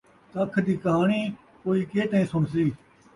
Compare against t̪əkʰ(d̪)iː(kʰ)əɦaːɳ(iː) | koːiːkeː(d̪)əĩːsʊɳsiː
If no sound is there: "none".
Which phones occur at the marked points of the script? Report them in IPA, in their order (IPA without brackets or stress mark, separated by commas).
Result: d̪, k, iː, t̪